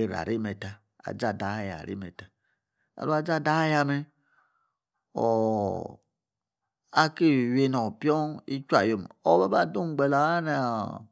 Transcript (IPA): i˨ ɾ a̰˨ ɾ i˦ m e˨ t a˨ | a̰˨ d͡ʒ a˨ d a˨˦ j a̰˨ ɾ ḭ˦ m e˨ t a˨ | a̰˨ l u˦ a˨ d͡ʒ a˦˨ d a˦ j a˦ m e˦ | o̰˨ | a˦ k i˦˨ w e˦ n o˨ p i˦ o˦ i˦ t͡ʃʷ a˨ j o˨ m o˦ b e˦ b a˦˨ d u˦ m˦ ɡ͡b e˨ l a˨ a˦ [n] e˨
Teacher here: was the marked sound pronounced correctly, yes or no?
yes